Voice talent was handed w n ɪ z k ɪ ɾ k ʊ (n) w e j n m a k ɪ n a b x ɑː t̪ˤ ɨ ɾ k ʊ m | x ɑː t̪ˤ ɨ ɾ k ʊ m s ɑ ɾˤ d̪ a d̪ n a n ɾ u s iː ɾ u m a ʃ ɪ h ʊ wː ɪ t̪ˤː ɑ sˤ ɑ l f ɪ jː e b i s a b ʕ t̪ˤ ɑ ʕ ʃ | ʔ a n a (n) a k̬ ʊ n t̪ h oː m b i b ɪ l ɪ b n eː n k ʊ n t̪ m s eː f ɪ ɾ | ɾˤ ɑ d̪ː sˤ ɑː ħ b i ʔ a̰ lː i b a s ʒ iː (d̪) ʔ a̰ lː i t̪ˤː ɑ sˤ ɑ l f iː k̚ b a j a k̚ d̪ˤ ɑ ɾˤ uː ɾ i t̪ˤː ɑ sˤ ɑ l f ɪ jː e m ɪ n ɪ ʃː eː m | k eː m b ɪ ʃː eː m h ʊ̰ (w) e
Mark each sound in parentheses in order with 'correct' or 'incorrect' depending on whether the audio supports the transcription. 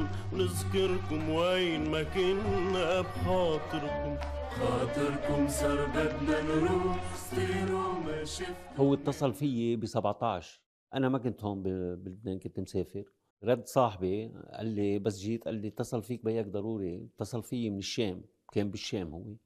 incorrect: m, incorrect: m, incorrect: t̪, incorrect: wː

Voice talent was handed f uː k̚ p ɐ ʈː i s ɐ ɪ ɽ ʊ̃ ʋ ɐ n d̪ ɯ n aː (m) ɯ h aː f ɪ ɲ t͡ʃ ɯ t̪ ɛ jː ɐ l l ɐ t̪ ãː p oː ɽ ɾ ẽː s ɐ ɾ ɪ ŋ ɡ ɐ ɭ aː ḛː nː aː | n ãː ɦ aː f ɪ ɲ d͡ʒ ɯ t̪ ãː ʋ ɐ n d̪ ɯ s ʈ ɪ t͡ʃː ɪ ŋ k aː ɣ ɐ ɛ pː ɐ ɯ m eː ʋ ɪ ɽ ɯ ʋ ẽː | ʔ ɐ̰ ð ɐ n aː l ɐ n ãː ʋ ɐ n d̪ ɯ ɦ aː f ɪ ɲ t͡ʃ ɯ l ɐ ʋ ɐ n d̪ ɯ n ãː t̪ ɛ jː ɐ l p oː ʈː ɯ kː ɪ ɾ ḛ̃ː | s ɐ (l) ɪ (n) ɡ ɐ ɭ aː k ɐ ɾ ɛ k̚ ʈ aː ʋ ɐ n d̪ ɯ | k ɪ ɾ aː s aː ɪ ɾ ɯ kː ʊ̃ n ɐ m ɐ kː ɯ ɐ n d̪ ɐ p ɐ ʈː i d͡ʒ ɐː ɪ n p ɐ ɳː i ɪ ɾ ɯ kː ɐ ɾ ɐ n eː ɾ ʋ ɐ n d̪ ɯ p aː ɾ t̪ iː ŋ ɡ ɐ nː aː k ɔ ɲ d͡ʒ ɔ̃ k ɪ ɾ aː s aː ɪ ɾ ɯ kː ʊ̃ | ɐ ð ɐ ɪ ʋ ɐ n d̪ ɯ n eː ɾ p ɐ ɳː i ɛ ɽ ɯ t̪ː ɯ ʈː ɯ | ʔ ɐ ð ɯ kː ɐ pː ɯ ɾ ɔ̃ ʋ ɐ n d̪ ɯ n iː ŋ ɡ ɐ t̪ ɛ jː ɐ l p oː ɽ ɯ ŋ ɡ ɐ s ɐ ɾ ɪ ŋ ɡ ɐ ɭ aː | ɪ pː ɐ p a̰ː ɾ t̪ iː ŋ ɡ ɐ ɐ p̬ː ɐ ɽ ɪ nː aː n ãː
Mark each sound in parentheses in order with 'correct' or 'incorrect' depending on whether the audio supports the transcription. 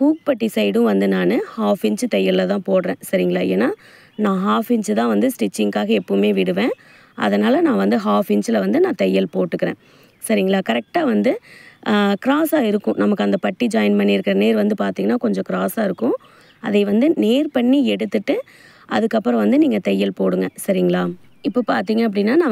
incorrect: n, incorrect: ɾ, incorrect: ŋ

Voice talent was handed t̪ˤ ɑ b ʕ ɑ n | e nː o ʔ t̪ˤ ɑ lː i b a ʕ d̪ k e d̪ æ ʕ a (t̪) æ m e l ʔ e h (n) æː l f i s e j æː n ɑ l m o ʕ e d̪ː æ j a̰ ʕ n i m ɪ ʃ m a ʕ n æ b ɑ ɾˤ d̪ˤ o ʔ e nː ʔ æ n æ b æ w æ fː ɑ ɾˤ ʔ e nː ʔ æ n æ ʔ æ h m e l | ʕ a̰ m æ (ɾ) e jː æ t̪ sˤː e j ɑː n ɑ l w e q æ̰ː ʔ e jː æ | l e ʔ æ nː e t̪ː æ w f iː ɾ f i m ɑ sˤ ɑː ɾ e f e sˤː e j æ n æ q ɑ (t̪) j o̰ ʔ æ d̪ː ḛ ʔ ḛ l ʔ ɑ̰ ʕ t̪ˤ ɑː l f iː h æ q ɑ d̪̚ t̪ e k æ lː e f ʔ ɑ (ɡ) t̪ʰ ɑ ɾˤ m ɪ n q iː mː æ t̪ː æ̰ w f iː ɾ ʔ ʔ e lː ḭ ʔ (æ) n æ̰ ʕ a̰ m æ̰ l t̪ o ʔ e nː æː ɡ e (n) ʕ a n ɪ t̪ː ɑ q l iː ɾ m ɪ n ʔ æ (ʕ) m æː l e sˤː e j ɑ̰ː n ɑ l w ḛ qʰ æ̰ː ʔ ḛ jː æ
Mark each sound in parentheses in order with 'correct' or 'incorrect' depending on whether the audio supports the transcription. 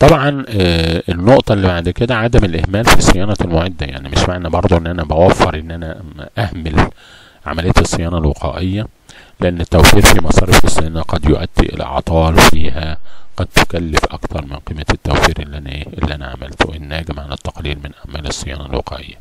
incorrect: d̪, incorrect: m, incorrect: l, incorrect: d̪, incorrect: k, correct, incorrect: m, correct

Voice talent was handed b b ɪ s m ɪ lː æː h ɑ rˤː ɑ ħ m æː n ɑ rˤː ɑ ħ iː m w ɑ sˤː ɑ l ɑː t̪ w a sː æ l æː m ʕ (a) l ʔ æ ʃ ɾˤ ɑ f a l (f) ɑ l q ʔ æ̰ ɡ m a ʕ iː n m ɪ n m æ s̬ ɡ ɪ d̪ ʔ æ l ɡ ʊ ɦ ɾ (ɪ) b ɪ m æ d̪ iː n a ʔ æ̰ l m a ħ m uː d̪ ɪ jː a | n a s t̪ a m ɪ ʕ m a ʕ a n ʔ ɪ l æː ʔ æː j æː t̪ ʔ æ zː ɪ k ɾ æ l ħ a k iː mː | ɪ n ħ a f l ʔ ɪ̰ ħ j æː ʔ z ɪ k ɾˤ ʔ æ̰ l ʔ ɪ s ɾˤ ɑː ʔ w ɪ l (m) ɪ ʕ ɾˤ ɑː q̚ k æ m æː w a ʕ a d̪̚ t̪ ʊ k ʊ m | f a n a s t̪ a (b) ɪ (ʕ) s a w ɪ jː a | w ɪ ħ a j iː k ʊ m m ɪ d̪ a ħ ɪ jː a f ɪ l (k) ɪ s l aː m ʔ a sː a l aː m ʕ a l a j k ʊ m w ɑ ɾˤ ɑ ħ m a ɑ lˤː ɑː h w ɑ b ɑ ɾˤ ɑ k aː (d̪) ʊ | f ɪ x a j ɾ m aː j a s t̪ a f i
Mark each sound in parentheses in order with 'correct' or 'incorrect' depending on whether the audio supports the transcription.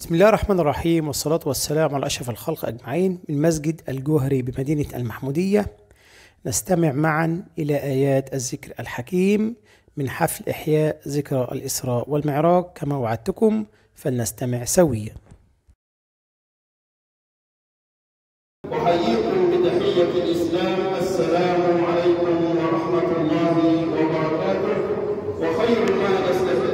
correct, incorrect: x, incorrect: i, correct, incorrect: m, correct, incorrect: ʔ, incorrect: t̪

